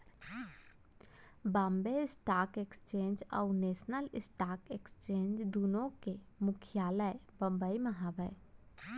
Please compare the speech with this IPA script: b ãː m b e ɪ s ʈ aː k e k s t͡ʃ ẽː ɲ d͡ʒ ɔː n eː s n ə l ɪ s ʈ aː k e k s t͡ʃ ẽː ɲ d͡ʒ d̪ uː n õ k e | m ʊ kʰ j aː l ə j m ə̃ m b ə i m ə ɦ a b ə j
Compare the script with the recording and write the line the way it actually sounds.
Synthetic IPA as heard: b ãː m b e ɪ s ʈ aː k e k s t͡ʃ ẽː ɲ d͡ʒ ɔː n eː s n ə l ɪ s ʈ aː k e k s t͡ʃ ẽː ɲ d͡ʒ d̪ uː n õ k e | m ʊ kʰ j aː l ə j b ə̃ m b ə i m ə ɦ a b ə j